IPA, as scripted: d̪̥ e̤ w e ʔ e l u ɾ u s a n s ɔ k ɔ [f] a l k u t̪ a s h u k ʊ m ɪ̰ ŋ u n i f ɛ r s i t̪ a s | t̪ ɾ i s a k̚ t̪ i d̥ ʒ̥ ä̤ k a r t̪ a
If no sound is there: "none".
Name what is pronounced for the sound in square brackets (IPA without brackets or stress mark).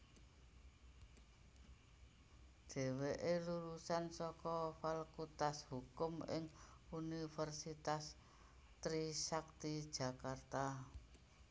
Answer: f